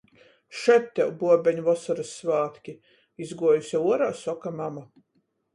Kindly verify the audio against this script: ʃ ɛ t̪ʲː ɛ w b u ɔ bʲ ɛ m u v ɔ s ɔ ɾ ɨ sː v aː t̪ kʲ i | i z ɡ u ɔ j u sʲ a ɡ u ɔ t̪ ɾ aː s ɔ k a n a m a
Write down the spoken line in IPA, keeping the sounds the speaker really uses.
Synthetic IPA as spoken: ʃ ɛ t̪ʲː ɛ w b u ɔ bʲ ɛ ɲ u v ɔ s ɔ ɾ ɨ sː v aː t̪ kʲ i | i z ɡ u ɔ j u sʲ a u ɔ ɾ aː s ɔ k a m a m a